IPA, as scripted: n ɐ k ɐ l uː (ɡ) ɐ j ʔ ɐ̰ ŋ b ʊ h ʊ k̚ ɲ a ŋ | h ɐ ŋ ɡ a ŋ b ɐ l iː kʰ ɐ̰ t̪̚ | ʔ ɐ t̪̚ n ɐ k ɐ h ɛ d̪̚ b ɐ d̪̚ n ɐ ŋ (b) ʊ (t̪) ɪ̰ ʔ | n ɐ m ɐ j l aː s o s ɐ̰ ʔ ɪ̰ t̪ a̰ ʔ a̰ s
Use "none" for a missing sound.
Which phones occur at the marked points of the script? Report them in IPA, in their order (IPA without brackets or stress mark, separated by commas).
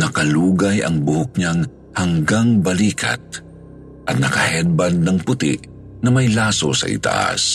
ɡ, p, t̪